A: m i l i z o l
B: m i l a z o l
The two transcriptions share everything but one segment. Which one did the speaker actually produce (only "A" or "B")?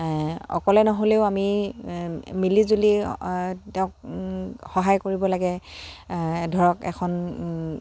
A